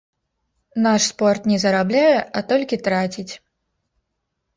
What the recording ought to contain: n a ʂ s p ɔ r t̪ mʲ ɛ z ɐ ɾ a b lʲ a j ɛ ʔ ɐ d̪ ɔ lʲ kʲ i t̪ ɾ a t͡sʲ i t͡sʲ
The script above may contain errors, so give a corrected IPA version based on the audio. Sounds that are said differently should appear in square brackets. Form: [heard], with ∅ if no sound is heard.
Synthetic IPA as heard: n a ʂ s p ɔ r t̪ [nʲ] ɛ z ɐ ɾ a b lʲ a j ɛ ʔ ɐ [t̪] ɔ lʲ kʲ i t̪ ɾ a t͡sʲ i t͡sʲ